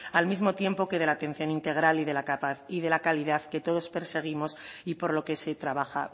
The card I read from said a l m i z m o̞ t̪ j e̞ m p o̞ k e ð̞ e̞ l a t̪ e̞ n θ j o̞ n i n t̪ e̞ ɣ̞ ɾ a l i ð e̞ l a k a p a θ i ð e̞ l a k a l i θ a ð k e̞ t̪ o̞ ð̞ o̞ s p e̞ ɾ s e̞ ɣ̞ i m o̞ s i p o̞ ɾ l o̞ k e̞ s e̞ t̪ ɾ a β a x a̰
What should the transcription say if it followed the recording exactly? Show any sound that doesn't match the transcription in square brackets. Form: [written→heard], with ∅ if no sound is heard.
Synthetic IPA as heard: a l m i z m o̞ t̪ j e̞ m p o̞ k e ð̞ e̞ l a t̪ e̞ n θ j o̞ n i n t̪ e̞ ɣ̞ ɾ a l i ð e̞ l a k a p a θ i ð e̞ l a k a l i [θ→ð] a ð k e̞ t̪ o̞ ð̞ o̞ s p e̞ ɾ s e̞ ɣ̞ i m o̞ s i p o̞ ɾ l o̞ k e̞ s e̞ t̪ ɾ a β a x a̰